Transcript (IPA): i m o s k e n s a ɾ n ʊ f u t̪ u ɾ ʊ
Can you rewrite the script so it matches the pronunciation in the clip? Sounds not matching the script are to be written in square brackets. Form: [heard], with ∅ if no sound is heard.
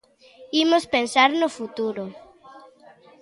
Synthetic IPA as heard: i m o s [p] e n s a ɾ n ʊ f u t̪ u ɾ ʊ